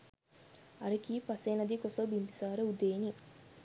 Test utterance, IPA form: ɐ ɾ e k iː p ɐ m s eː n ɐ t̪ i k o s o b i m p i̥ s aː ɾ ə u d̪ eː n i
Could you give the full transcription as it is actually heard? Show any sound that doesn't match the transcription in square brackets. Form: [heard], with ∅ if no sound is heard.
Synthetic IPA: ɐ ɾ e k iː p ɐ [∅] s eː n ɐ [d̪] i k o s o b i m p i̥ s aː ɾ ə u d̪ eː n i